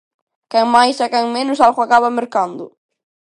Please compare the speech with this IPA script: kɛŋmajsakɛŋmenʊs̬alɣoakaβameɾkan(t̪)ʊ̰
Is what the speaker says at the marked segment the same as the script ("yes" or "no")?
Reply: no